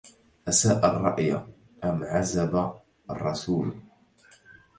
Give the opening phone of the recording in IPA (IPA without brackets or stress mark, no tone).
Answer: ʔ